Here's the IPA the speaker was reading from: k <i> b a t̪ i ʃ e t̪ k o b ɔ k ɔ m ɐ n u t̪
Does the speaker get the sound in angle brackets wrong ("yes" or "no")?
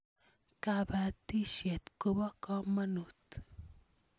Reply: yes